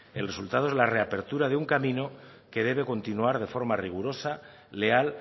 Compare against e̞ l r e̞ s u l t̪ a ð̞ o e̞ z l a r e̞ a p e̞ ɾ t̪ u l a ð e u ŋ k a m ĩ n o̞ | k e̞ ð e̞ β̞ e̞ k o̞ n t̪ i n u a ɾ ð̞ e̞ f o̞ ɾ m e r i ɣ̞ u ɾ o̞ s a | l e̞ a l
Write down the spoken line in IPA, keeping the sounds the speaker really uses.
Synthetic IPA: e̞ l r e̞ s u l t̪ a ð̞ o e̞ z l a r e̞ a p e̞ ɾ t̪ u ɾ a ð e u ŋ k a m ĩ n o̞ | k e̞ ð e̞ β̞ e̞ k o̞ n t̪ i n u a ɾ ð̞ e̞ f o̞ ɾ m a r i ɣ̞ u ɾ o̞ s a | l e̞ a l